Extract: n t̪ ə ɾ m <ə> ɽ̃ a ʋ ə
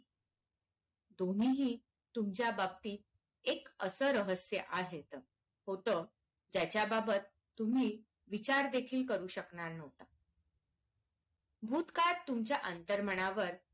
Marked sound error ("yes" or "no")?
no